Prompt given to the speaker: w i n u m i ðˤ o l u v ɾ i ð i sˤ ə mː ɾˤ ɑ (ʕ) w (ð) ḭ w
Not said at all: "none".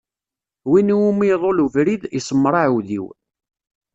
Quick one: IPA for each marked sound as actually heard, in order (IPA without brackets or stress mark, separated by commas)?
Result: ʕ, ð